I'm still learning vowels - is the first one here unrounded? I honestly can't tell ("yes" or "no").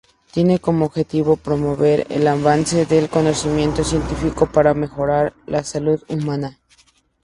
yes